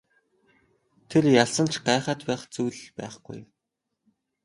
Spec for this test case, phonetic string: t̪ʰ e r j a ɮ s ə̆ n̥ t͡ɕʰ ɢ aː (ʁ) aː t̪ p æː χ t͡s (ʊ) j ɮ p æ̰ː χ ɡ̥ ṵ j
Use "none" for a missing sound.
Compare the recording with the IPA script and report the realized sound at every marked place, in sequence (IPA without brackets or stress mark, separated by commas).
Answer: χ, u